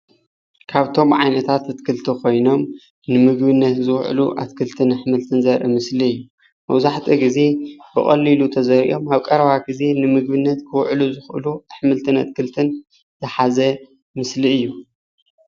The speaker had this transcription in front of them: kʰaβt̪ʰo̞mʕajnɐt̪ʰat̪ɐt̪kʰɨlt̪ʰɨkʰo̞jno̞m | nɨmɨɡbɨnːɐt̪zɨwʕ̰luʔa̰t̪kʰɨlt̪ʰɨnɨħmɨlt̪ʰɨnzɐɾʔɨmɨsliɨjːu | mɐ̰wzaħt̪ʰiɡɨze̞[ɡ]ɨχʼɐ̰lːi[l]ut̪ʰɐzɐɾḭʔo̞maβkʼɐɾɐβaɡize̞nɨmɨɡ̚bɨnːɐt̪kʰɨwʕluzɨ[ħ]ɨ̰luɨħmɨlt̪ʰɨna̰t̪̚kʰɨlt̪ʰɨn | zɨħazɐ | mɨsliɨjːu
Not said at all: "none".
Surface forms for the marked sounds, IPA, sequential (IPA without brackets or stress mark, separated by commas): b, l, x